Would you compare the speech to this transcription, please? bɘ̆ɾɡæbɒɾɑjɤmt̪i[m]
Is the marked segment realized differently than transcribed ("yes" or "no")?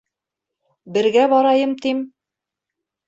no